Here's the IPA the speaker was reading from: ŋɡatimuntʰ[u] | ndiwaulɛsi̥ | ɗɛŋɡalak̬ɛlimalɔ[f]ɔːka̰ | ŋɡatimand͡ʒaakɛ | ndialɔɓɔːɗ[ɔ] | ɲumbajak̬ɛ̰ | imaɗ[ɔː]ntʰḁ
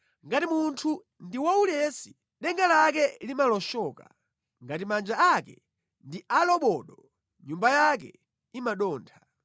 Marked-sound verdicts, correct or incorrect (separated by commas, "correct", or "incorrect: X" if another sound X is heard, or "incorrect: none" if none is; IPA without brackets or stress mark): correct, incorrect: ʃ, correct, correct